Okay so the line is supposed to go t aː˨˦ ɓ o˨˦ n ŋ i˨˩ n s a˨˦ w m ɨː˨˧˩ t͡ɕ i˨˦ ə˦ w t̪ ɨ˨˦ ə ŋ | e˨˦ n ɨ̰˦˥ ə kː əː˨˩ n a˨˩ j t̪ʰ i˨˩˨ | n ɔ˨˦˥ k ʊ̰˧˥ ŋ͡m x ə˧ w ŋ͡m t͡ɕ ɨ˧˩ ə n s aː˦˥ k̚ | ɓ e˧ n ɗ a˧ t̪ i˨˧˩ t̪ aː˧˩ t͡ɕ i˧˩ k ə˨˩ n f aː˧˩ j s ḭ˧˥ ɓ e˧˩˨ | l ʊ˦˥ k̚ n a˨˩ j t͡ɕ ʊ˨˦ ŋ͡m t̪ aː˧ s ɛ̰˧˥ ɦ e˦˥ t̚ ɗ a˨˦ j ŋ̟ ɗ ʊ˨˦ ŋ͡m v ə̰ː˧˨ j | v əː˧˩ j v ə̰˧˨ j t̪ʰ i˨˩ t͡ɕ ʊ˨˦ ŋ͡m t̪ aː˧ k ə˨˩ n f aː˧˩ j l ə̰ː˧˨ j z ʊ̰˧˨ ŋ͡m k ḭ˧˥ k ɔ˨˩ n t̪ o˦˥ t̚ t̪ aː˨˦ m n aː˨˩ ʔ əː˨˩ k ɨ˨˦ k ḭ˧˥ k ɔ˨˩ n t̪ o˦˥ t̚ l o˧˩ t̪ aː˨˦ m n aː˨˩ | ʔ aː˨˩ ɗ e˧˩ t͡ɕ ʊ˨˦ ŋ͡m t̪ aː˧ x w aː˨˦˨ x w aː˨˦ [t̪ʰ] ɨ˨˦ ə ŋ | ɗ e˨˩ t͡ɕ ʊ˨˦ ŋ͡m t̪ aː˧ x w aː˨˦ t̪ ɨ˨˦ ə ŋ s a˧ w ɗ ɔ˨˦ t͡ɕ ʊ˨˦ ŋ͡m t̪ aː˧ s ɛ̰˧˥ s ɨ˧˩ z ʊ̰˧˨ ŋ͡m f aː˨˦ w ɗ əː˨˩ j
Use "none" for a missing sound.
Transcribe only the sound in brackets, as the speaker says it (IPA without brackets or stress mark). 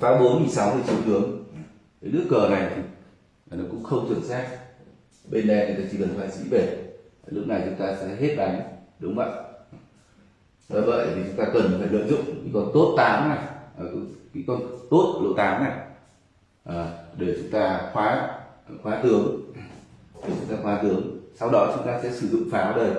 t̪